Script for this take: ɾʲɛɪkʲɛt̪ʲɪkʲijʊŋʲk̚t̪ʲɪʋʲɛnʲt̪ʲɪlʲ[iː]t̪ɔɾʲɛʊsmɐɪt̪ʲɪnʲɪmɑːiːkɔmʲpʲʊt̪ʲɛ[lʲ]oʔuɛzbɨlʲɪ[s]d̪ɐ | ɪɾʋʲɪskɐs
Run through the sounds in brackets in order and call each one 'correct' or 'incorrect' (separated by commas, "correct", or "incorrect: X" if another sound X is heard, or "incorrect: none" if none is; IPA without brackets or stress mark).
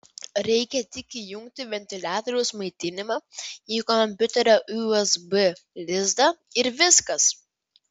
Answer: incorrect: æː, incorrect: ɾʲ, incorrect: z